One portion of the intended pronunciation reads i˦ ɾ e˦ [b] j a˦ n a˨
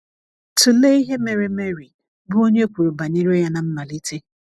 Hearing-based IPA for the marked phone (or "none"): none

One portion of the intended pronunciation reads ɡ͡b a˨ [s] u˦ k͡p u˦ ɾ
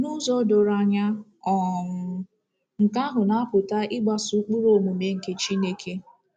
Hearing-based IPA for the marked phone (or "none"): s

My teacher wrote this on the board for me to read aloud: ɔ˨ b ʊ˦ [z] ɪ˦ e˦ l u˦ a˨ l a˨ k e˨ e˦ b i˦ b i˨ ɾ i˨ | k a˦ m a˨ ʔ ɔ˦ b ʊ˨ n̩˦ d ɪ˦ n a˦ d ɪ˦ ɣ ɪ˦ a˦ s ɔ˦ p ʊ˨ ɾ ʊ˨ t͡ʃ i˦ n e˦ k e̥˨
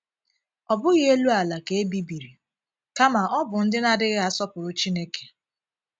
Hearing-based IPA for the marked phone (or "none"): ɣ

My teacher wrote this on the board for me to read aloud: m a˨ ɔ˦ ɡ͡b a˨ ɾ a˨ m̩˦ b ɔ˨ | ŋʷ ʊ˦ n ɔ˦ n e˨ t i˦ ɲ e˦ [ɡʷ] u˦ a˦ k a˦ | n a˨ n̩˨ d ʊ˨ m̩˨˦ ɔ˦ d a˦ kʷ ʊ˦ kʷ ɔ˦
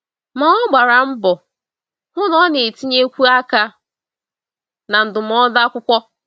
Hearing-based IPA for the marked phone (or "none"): kʷ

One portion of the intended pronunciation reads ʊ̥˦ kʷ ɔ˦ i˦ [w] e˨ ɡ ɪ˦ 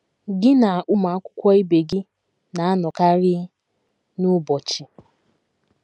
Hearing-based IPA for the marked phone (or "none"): b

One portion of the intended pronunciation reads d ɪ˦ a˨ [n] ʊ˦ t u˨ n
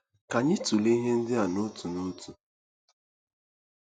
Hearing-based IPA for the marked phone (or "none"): n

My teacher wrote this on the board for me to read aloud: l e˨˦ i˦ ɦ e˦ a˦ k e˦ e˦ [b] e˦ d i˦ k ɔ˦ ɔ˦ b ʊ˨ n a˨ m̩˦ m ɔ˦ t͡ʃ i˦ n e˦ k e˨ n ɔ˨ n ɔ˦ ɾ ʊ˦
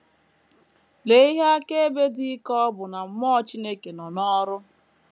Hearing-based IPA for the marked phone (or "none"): b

